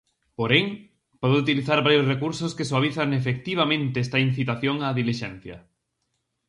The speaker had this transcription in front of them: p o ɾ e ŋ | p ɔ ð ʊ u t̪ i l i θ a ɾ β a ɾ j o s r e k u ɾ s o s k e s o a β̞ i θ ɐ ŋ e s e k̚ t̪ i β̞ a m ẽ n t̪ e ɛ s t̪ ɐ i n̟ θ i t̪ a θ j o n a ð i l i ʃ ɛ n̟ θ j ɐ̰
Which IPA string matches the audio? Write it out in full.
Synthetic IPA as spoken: p o ɾ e ŋ | p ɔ ð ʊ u t̪ i l i θ a ɾ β a ɾ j o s r e k u ɾ s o s k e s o a β̞ i θ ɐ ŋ e f e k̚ t̪ i β̞ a m ẽ n t̪ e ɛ s t̪ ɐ i n̟ θ i t̪ a θ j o ŋ a ð i l i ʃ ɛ n̟ θ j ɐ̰